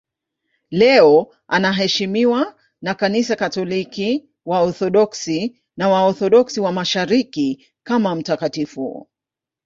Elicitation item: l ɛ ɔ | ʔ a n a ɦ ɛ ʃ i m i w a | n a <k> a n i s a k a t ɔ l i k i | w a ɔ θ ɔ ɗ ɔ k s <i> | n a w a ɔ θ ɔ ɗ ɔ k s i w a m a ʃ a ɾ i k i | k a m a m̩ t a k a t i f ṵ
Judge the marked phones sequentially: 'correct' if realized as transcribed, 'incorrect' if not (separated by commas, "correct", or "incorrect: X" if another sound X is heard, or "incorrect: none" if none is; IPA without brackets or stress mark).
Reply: correct, correct